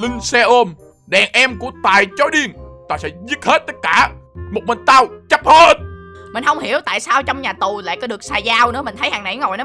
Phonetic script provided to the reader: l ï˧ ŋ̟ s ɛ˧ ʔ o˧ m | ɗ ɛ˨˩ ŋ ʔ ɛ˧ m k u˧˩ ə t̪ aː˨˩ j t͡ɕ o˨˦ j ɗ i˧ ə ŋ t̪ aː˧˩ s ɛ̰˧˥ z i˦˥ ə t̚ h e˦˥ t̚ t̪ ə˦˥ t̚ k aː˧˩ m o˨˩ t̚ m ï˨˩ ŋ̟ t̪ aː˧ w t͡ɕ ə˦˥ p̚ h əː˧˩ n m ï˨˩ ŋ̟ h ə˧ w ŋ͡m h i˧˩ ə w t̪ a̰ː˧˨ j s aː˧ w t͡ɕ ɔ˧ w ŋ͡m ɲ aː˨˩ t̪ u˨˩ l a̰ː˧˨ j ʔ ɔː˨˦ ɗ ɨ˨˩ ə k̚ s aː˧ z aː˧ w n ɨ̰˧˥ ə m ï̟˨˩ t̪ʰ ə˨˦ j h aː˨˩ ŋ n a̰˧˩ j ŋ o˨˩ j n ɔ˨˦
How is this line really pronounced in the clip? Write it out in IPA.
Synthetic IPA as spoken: l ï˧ ŋ̟ s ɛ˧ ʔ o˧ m | ɗ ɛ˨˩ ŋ ʔ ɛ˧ m k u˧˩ ə t̪ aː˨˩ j t͡ɕ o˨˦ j ɗ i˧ ə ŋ t̪ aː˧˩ s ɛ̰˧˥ z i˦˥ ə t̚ h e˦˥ t̚ t̪ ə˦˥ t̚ k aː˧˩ m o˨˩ t̚ m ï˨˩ ŋ̟ t̪ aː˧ w t͡ɕ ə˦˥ p̚ h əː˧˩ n m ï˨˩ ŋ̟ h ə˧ w ŋ͡m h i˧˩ ə w t̪ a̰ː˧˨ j s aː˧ w t͡ɕ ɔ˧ w ŋ͡m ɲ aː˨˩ t̪ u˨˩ l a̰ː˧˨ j k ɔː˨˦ ɗ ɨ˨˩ ə k̚ s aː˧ z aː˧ w n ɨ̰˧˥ ə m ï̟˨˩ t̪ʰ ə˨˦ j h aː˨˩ ŋ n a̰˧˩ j ŋ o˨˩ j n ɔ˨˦

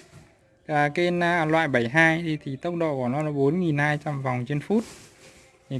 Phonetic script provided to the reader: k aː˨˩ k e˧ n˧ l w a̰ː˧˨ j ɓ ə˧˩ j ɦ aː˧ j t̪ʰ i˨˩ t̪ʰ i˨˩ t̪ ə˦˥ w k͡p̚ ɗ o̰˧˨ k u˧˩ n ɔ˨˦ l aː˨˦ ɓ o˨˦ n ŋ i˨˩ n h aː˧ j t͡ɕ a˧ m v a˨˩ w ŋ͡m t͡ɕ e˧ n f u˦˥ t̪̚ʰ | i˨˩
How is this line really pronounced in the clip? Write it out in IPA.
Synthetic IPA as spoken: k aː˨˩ k e˧ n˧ l w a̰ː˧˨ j ɓ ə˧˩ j ɦ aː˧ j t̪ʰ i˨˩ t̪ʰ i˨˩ t̪ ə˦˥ w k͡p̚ ɗ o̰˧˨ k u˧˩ n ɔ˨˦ l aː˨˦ ɓ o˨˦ n ŋ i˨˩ n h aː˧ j t͡ɕ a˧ m v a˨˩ w ŋ͡m t͡ɕ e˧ n f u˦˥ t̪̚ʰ | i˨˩

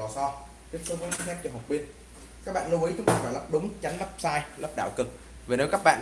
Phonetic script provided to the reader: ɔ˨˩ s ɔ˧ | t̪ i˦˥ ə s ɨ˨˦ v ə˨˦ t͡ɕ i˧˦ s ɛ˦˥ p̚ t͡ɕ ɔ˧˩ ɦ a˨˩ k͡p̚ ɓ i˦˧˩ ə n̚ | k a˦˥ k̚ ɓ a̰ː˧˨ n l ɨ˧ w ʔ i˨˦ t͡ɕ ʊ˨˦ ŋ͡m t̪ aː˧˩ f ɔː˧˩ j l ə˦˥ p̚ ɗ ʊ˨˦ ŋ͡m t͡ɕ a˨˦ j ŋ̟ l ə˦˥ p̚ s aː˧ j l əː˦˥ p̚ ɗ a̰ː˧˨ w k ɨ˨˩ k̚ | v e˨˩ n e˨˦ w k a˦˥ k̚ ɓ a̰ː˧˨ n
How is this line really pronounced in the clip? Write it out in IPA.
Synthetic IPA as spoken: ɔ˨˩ s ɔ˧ | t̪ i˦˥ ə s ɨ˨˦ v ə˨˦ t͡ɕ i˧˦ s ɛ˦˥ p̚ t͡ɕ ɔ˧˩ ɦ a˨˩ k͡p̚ ɓ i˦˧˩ ə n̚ | k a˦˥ k̚ ɓ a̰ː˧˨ n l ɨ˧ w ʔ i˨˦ t͡ɕ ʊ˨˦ ŋ͡m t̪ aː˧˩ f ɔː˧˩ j l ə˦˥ p̚ ɗ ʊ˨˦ ŋ͡m t͡ɕ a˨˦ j ŋ̟ l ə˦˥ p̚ s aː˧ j l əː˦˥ p̚ ɗ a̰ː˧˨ w k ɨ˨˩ k̚ | v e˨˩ n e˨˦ w k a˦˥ k̚ ɓ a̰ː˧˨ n

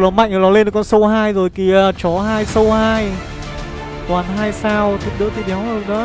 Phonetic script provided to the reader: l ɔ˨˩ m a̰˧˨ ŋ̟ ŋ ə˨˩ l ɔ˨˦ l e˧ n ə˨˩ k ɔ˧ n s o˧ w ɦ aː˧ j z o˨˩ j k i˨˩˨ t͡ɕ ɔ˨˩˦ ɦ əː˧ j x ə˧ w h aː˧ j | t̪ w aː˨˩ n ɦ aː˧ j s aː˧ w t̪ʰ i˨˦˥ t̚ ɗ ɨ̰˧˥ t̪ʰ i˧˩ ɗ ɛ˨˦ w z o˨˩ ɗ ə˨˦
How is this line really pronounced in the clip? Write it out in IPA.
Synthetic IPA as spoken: l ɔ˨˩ m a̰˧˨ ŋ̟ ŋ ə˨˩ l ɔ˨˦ l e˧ n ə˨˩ k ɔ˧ n s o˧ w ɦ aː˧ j z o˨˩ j k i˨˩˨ t͡ɕ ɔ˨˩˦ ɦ aː˧ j s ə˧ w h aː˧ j | t̪ w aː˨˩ n ɦ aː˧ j s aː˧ w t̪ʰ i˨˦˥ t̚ ɗ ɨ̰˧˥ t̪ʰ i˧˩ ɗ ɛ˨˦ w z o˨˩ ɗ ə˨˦

